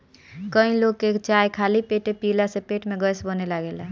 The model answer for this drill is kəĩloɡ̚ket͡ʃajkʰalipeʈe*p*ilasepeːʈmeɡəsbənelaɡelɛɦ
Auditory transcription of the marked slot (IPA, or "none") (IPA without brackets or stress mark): p